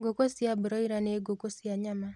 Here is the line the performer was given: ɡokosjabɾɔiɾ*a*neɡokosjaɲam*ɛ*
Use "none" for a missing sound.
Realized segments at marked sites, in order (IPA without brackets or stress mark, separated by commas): a, a